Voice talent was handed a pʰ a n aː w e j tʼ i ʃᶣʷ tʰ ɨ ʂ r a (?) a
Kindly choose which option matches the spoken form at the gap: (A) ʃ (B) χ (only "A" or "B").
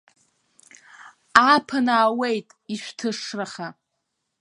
B